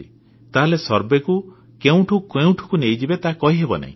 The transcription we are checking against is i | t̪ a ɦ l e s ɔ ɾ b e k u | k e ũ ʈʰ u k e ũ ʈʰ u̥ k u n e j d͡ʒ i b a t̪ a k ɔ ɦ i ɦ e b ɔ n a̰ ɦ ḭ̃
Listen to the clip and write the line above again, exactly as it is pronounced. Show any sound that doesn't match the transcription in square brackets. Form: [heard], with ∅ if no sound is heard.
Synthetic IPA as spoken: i | t̪ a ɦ l e s ɔ ɾ b e k u | k e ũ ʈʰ u k e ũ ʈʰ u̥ k u n e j d͡ʒ i b [e] t̪ a k ɔ ɦ i ɦ e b ɔ n a̰ ɦ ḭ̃

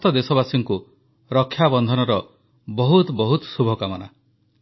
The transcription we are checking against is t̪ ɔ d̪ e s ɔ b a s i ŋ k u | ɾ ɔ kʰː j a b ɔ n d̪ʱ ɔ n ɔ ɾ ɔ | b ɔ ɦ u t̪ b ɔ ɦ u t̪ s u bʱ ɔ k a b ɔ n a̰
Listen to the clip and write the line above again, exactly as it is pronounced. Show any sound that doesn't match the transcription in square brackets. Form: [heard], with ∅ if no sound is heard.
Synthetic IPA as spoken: t̪ ɔ d̪ e s ɔ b a s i ŋ k u | ɾ ɔ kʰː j a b ɔ n d̪ʱ ɔ n ɔ ɾ ɔ | b ɔ ɦ u t̪ b ɔ ɦ u t̪ s u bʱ ɔ k a [m] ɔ n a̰

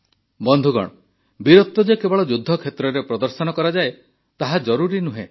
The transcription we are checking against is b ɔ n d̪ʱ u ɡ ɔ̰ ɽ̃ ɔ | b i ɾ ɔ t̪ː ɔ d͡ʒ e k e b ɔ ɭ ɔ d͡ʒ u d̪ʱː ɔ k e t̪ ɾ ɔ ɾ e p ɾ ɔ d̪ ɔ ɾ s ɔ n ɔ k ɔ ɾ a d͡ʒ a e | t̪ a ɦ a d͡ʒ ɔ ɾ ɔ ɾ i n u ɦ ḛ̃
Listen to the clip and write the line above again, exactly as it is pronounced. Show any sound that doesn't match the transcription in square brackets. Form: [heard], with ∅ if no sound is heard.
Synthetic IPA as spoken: b ɔ n d̪ʱ u ɡ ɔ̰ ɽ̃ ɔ | b i ɾ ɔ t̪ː ɔ d͡ʒ e k e b ɔ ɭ ɔ d͡ʒ u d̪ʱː ɔ [kʰ] e t̪ ɾ ɔ ɾ e p ɾ ɔ d̪ ɔ ɾ s ɔ n ɔ k ɔ ɾ a d͡ʒ a e | t̪ a ɦ a d͡ʒ ɔ ɾ [u] ɾ i n u ɦ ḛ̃

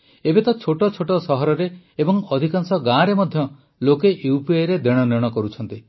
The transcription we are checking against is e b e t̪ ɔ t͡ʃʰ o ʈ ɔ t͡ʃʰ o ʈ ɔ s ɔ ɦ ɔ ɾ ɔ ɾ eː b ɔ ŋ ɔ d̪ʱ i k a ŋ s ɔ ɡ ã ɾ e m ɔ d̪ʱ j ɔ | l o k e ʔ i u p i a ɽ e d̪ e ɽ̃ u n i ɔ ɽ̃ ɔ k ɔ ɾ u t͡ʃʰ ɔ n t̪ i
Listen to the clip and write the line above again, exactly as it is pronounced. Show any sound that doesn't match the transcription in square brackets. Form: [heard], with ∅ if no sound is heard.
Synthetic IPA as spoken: e b e t̪ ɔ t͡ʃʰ o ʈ ɔ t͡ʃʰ o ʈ ɔ s ɔ ɦ ɔ ɾ ɔ ɾ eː b ɔ ŋ ɔ d̪ʱ i k a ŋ s ɔ ɡ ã ɾ e m ɔ d̪ʱ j ɔ | l o k e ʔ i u p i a [ɾ] e d̪ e ɽ̃ [ɔ] n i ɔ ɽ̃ ɔ k ɔ ɾ u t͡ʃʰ ɔ n t̪ i

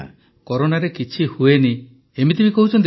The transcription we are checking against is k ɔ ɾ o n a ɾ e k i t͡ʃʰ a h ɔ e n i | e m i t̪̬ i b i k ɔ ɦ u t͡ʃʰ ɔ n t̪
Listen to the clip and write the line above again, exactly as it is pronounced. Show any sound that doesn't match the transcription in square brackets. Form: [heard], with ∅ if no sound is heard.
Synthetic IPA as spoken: k ɔ ɾ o n a ɾ e k i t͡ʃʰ [i] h [u] e n i | e m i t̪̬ i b i k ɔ ɦ u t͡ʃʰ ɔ n t̪

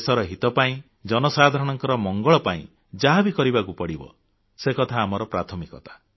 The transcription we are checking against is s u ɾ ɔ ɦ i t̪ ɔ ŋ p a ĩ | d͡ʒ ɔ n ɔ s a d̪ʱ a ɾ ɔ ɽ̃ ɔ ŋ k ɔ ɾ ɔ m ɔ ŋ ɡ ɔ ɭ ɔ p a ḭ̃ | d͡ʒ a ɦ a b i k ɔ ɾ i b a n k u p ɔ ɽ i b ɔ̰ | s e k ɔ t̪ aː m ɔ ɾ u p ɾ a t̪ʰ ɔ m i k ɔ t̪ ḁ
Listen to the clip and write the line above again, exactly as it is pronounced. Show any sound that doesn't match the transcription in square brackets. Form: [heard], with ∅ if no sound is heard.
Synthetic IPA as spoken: s [ɔ] ɾ ɔ ɦ i t̪ ɔ [∅] p a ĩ | d͡ʒ ɔ n ɔ s a d̪ʱ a ɾ ɔ ɽ̃ ɔ ŋ k ɔ ɾ ɔ m ɔ ŋ ɡ ɔ ɭ ɔ p a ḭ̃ | d͡ʒ a ɦ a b i k ɔ ɾ i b a [∅] k u p ɔ ɽ i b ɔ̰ | s e k ɔ [t̪ʰ] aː m ɔ ɾ [ɔ] p ɾ a t̪ʰ ɔ m i k ɔ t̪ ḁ

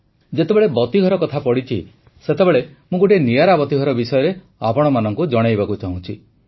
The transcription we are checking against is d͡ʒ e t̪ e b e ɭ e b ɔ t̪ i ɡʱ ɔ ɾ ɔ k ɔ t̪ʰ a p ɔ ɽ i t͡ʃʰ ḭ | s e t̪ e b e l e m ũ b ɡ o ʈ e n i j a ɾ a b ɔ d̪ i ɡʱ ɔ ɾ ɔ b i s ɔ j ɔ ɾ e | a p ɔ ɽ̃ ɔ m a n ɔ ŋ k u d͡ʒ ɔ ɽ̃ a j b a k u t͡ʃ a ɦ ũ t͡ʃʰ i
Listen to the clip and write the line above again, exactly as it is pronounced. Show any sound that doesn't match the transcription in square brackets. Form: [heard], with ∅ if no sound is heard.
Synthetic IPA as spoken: d͡ʒ e t̪ e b e ɭ e b ɔ t̪ i ɡʱ ɔ ɾ ɔ k ɔ t̪ʰ a p ɔ ɽ i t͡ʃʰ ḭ | s e t̪ e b e [ɭ] e m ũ [∅] ɡ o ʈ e n i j a ɾ a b ɔ [t̪] i ɡʱ ɔ ɾ ɔ b i s ɔ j ɔ ɾ e | a p ɔ ɽ̃ ɔ m a n ɔ ŋ k u d͡ʒ ɔ ɽ̃ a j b a k u t͡ʃ a ɦ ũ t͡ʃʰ i

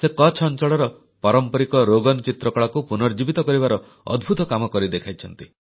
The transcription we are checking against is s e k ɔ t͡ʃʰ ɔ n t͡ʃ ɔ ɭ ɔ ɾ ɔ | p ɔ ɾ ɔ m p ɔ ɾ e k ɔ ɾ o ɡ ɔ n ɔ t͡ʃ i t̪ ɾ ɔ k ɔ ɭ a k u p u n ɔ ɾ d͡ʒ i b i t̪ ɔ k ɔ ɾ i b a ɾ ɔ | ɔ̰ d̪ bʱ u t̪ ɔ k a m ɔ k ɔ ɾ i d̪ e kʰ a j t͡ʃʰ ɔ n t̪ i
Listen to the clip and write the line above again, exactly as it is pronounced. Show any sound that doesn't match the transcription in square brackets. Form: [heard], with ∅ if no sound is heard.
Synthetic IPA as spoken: s e k ɔ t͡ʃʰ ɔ n t͡ʃ ɔ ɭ ɔ ɾ ɔ | p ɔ ɾ ɔ m p ɔ ɾ [i] k ɔ ɾ o ɡ ɔ n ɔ t͡ʃ i t̪ ɾ ɔ k ɔ ɭ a k u p u n ɔ ɾ d͡ʒ i b i t̪ ɔ k ɔ ɾ i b a ɾ ɔ | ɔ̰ d̪ bʱ u t̪ ɔ k a m ɔ k ɔ ɾ i d̪ e kʰ a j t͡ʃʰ ɔ n t̪ i

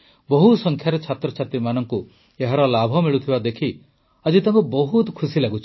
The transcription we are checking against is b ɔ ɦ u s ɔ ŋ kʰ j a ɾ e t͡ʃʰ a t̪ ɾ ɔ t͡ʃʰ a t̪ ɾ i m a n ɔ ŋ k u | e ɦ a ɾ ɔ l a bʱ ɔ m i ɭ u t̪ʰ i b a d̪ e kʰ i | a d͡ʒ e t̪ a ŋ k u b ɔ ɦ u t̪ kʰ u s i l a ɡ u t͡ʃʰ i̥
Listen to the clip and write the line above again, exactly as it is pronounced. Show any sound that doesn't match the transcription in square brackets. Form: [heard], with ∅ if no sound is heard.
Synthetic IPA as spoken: b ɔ ɦ u s ɔ ŋ kʰ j a ɾ e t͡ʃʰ a t̪ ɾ ɔ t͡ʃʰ a t̪ ɾ i m a n ɔ ŋ k u | e ɦ a ɾ ɔ l a bʱ ɔ m i ɭ u t̪ʰ i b a d̪ e kʰ i | a d͡ʒ [i] t̪ a ŋ k u b ɔ ɦ u t̪ kʰ u s i l a ɡ u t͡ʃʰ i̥

